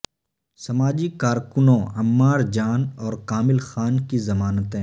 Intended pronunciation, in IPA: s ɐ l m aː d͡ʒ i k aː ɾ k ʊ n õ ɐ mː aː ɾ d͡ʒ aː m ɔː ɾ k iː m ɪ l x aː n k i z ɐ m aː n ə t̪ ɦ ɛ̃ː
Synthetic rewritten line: s ɐ m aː d͡ʒ i k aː ɾ k ʊ n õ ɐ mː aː ɾ d͡ʒ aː n ɔː ɾ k aː m ɪ l x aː n k i z ɐ m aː n ə t̪ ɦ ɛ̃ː